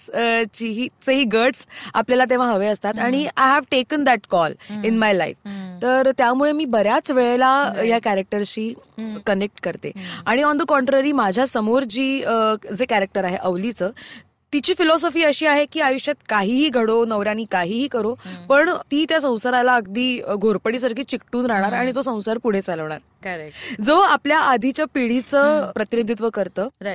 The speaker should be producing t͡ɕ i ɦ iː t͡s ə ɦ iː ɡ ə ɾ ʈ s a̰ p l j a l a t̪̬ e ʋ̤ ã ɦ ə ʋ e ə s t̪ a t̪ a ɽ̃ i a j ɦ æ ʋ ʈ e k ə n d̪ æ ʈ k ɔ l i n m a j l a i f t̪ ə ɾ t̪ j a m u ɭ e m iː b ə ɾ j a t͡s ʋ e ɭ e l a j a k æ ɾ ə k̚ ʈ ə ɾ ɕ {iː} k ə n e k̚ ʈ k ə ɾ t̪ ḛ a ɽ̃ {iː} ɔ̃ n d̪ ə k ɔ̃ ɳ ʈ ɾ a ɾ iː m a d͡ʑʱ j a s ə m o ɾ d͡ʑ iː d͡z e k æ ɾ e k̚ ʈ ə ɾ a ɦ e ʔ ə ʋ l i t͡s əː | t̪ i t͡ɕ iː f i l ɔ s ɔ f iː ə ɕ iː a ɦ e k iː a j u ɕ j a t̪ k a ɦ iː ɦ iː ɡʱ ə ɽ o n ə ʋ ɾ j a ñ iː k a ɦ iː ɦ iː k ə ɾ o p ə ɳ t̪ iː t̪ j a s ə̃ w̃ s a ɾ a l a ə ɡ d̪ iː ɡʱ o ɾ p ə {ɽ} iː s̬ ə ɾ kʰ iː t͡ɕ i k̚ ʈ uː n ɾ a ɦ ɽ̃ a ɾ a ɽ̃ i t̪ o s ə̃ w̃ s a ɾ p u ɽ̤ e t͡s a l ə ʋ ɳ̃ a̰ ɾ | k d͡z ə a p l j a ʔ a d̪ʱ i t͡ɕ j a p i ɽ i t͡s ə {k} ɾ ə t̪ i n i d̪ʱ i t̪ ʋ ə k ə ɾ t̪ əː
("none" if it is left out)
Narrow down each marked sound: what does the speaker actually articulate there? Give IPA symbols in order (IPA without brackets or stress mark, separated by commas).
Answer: iː, i, ɽ, p